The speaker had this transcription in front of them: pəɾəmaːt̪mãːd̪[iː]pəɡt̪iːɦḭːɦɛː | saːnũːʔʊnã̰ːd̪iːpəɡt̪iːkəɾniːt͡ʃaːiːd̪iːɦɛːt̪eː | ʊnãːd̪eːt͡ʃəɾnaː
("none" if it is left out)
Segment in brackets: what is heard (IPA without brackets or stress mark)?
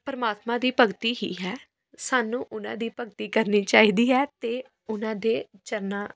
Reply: iː